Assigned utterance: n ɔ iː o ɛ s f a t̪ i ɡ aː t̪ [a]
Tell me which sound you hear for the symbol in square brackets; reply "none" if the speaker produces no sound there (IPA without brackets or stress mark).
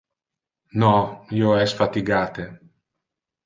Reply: e